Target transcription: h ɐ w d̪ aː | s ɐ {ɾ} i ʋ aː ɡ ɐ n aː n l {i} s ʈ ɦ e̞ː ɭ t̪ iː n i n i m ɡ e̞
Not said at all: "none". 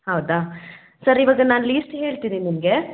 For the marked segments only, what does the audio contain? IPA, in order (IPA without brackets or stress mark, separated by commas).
ɾ, iː